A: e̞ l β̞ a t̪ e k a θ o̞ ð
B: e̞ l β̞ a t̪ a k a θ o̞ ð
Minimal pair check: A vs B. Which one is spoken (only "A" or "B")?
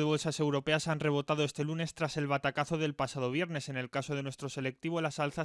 B